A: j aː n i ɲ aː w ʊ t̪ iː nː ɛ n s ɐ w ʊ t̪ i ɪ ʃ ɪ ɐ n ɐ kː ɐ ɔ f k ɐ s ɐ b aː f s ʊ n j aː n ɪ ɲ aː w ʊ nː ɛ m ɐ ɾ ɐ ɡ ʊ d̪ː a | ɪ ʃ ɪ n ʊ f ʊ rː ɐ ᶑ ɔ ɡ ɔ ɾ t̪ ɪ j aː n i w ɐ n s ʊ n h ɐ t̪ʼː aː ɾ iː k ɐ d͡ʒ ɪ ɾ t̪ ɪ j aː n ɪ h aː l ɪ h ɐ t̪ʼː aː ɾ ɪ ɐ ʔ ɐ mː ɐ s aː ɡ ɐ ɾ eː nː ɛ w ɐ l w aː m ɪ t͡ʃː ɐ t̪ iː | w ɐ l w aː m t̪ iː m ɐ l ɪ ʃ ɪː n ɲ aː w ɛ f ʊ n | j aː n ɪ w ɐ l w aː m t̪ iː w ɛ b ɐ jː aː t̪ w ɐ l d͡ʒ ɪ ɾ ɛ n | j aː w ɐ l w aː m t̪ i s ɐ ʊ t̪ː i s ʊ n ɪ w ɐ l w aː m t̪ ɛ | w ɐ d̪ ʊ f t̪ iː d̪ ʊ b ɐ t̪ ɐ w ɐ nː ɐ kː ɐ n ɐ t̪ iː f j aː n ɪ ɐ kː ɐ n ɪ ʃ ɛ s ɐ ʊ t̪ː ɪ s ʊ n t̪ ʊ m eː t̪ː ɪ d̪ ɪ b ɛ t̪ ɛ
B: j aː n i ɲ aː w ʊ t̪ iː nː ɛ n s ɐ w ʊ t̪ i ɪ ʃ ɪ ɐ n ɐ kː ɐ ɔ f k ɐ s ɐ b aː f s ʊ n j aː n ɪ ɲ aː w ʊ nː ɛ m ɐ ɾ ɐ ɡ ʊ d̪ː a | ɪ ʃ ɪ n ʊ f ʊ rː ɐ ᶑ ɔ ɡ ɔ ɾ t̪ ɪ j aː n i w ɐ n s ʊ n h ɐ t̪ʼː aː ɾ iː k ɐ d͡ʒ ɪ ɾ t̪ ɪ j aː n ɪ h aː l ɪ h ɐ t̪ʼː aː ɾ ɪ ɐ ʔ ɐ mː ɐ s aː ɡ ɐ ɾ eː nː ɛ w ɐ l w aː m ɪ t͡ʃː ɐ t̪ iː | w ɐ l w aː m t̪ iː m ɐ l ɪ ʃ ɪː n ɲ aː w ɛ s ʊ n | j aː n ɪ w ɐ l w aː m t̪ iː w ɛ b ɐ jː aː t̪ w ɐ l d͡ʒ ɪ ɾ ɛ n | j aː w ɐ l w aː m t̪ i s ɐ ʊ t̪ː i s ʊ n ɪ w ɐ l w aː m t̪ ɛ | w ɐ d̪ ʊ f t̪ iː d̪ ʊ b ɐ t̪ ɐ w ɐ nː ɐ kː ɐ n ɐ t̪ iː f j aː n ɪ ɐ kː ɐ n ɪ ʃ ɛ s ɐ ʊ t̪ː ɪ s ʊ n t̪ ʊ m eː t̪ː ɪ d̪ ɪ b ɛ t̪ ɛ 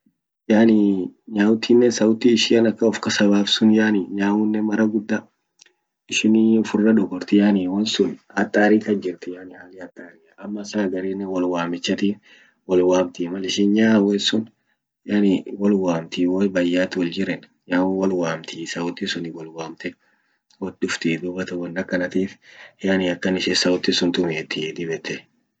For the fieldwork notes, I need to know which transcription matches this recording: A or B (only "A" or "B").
B